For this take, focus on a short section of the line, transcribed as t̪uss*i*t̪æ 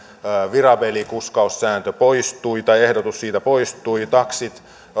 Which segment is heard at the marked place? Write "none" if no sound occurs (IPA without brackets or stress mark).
iː